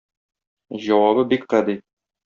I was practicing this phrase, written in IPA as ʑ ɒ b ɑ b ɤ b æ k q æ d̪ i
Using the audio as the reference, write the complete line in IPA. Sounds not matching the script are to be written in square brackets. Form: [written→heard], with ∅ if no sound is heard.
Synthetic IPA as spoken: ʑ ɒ [b→w] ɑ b ɤ b [æ→i] k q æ d̪ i